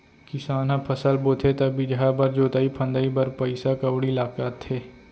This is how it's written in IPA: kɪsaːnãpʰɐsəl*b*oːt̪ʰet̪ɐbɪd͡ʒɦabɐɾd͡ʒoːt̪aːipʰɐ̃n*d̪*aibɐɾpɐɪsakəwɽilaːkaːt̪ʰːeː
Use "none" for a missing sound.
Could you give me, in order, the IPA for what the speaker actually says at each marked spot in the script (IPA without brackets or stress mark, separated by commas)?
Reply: b, d̪